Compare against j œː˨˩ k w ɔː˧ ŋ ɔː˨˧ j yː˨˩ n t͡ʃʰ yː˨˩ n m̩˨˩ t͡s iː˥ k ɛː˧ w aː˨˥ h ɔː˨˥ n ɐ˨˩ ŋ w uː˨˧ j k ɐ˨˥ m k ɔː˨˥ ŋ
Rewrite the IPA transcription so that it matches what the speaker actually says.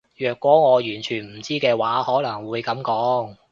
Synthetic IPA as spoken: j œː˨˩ k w ɔː˨˥ ŋ ɔː˨˧ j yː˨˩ n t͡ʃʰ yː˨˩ n m̩˨˩ t͡s iː˥ k ɛː˧ w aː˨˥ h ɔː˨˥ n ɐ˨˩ ŋ w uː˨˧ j k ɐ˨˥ m k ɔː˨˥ ŋ